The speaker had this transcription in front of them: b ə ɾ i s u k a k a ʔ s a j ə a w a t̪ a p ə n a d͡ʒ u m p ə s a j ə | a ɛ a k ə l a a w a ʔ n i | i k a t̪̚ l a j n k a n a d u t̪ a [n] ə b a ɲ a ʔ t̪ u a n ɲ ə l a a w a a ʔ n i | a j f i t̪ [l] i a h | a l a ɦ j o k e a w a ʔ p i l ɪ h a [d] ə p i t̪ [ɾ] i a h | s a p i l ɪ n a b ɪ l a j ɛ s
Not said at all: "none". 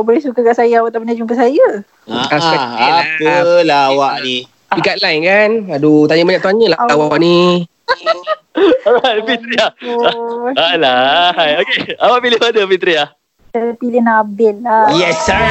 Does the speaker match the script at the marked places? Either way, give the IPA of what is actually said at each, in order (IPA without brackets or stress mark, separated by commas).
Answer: ɲ, ɾ, d, ɾ